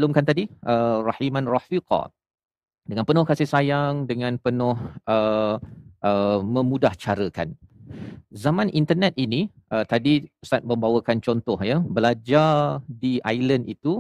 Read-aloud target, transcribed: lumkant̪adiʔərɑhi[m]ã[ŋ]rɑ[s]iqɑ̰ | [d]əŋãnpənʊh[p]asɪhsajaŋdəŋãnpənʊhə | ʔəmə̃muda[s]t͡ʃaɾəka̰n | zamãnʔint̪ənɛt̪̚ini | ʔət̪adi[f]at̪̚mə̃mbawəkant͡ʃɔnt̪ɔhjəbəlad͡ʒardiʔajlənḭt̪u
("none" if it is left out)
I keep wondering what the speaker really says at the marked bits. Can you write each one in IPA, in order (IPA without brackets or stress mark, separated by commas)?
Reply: m, n, f, d, k, h, s